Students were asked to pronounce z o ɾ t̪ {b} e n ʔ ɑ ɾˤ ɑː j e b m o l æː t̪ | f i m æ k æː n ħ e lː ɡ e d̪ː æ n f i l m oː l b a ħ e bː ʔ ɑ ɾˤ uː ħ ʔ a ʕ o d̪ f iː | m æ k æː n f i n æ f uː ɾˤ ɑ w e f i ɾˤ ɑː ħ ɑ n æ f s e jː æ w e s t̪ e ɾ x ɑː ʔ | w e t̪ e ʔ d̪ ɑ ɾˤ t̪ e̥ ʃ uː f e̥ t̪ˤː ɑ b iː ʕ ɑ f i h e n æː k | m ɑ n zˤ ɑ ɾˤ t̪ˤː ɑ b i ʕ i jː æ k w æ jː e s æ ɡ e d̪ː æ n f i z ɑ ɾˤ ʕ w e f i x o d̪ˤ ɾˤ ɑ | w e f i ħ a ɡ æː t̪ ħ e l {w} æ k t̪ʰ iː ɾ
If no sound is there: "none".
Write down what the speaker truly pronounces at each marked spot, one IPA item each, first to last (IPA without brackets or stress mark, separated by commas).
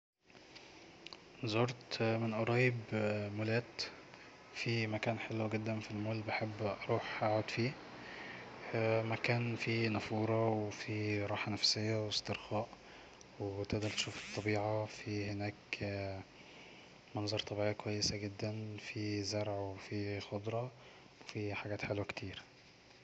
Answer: m, w